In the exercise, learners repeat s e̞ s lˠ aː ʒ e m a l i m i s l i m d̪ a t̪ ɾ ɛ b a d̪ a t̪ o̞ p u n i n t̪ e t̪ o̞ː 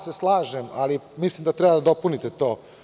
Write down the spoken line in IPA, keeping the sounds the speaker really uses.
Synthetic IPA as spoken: s e̞ s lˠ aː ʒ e m a l i m i s l i m d̪ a t̪ ɾ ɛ b a d̪ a d̪ o̞ p u n i t̪ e t̪ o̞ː